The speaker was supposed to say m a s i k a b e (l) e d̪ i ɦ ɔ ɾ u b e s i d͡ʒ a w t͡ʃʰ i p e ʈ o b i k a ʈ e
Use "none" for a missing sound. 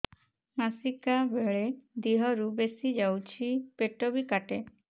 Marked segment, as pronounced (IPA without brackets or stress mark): ɭ